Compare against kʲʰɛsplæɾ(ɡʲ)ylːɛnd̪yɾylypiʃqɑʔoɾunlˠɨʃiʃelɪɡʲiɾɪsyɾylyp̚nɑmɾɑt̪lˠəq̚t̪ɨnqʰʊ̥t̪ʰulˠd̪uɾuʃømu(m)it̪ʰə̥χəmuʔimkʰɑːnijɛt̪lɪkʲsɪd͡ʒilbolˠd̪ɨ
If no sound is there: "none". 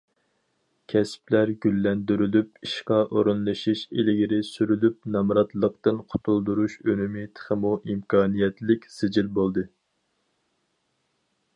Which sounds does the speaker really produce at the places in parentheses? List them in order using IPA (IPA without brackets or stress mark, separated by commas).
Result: ɡʲ, m